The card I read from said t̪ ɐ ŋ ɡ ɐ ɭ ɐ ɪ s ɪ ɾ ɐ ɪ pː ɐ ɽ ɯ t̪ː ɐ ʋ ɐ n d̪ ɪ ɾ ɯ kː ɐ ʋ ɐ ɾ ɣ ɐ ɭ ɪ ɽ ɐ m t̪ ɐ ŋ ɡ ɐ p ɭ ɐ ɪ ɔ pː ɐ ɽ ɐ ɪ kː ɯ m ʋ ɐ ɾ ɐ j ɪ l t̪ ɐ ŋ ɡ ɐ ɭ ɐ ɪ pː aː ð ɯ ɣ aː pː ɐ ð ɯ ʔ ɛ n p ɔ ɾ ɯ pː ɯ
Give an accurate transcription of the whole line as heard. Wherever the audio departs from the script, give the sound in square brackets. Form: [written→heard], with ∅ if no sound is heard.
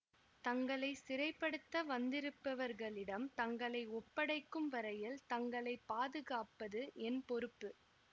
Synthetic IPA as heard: t̪ ɐ ŋ ɡ ɐ ɭ ɐ ɪ s ɪ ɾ ɐ ɪ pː ɐ ɽ ɯ t̪ː ɐ ʋ ɐ n d̪ ɪ ɾ ɯ [kː→pː] ɐ ʋ ɐ ɾ ɣ ɐ ɭ ɪ ɽ ɐ m t̪ ɐ ŋ ɡ ɐ [p→∅] ɭ ɐ ɪ ɔ pː ɐ ɽ ɐ ɪ kː ɯ m ʋ ɐ ɾ ɐ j ɪ l t̪ ɐ ŋ ɡ ɐ ɭ ɐ ɪ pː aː ð ɯ ɣ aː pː ɐ ð ɯ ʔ ɛ n p ɔ ɾ ɯ pː ɯ